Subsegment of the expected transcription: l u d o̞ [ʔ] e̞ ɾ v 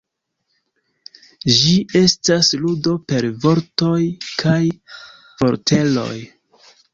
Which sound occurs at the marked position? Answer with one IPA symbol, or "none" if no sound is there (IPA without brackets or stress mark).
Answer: p